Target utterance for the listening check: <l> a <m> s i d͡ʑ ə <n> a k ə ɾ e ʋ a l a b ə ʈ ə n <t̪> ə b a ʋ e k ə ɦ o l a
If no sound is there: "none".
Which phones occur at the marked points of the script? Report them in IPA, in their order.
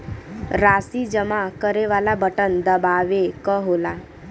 ɾ, none, m, d̪

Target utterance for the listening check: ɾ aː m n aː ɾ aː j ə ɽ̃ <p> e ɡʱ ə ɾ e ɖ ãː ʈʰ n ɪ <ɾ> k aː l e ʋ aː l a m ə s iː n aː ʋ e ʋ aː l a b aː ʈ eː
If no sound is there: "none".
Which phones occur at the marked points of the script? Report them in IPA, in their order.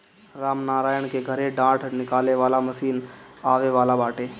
k, none

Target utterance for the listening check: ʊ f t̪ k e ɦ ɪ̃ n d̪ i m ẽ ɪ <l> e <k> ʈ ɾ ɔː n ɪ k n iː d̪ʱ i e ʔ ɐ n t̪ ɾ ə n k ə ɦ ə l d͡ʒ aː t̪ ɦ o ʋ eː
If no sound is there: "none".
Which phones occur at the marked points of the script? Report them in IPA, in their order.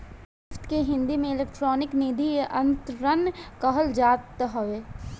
l, k

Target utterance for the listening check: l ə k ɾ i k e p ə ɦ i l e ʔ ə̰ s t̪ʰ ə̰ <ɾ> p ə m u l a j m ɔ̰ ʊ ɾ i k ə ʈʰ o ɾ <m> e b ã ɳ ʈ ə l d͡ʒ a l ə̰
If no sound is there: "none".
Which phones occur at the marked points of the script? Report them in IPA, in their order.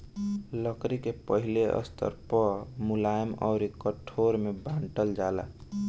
ɾ, m

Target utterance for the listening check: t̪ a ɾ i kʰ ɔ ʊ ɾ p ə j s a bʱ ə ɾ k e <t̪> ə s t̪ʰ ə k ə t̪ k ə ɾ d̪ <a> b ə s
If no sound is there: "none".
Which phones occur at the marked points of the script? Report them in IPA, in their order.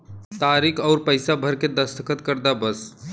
d̪, a

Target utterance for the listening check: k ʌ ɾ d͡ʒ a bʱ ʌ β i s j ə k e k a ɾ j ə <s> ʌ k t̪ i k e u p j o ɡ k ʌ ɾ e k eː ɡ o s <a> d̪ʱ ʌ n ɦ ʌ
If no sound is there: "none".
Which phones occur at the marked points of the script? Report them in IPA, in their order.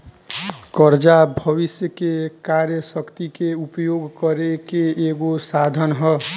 s, a

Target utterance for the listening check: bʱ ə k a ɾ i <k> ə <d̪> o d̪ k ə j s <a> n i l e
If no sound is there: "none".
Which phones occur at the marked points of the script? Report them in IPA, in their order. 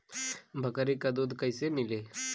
k, d̪, e

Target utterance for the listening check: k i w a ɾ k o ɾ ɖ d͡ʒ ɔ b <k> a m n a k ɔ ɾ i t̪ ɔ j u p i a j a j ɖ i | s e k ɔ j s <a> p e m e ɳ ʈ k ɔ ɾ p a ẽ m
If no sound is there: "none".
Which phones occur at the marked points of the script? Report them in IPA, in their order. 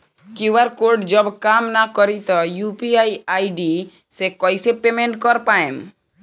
k, e

